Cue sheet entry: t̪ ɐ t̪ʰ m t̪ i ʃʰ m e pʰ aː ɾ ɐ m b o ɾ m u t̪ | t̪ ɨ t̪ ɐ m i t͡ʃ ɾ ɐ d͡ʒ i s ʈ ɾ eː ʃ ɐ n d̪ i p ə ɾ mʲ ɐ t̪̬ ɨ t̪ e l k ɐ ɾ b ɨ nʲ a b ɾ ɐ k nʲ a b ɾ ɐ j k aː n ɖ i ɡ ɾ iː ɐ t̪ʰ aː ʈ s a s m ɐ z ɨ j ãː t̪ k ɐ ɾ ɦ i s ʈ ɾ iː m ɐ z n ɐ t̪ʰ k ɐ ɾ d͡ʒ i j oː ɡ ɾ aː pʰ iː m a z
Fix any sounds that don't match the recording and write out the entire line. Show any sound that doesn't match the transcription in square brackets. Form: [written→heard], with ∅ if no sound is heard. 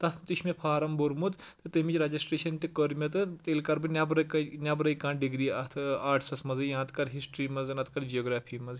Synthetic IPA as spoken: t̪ ɐ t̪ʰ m t̪ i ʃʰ m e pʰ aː ɾ ɐ m b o ɾ m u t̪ | t̪ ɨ t̪ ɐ m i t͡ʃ ɾ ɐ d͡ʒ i s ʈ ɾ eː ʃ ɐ n [d̪→t̪] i [p→k] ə ɾ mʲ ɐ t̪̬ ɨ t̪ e l k ɐ ɾ b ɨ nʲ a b ɾ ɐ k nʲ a b ɾ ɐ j k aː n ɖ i ɡ ɾ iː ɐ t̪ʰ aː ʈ s [a→ɐ] s m ɐ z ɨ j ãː t̪ k ɐ ɾ ɦ i s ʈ ɾ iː m ɐ z n ɐ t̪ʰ k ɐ ɾ d͡ʒ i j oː ɡ ɾ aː pʰ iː m [a→ɐ] z